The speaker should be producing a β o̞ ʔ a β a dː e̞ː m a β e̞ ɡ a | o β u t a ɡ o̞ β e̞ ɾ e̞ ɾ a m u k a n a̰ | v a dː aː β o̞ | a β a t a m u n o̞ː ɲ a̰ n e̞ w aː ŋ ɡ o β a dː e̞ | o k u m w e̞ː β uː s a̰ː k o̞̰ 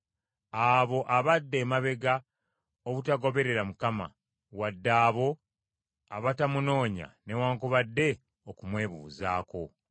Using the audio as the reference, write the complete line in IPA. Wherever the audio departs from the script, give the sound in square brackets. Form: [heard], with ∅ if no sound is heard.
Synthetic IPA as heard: a β o̞ ʔ a β a dː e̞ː m a β e̞ ɡ a | o β u t a ɡ o̞ β e̞ ɾ e̞ ɾ a m u k a [m] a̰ | [w] a dː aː β o̞ | a β a t a m u n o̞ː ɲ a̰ n e̞ w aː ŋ [k] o β a dː e̞ | o k u m w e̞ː β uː [z] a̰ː k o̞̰